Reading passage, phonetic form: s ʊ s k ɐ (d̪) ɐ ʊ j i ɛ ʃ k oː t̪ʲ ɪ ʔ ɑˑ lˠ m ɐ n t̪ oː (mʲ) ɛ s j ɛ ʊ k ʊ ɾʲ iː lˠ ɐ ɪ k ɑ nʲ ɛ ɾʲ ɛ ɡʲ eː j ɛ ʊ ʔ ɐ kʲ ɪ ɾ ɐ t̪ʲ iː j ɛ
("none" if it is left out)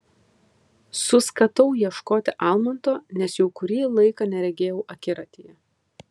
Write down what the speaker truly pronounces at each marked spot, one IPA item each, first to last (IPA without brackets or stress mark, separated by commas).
t̪, nʲ